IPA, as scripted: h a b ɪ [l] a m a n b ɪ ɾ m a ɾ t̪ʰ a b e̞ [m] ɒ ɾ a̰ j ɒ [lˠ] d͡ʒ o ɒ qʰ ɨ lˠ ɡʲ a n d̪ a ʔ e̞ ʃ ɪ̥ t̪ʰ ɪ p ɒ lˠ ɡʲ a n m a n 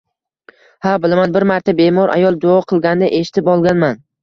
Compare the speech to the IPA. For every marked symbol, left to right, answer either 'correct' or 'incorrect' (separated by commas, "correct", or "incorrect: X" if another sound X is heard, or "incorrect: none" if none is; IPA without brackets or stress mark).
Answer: correct, correct, correct